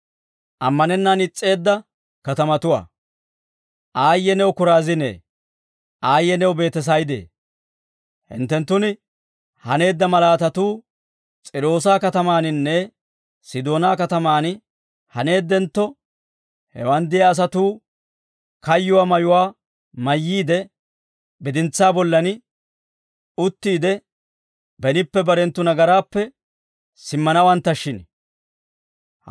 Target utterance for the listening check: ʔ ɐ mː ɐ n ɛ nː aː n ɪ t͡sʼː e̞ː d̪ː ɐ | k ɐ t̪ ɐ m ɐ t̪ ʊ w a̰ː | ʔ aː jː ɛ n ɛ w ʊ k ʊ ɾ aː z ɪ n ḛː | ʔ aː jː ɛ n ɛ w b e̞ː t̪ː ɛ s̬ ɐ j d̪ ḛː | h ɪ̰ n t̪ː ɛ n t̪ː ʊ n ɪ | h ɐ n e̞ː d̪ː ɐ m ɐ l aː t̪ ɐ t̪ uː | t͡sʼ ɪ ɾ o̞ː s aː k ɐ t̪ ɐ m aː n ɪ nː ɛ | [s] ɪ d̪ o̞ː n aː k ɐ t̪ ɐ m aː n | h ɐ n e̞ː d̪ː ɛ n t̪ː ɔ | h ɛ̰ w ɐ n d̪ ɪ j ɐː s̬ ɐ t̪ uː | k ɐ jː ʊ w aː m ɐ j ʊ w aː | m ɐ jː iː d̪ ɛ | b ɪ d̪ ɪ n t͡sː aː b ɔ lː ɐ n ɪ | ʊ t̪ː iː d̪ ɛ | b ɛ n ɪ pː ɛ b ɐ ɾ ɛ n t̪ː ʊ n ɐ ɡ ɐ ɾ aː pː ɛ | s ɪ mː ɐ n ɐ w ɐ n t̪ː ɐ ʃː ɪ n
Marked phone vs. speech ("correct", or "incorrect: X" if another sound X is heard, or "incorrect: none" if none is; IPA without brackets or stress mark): correct